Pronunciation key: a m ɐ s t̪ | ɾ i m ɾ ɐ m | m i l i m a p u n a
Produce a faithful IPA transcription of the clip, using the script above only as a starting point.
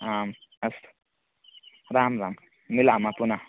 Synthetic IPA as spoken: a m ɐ s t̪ | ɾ a m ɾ a m | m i l a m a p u n a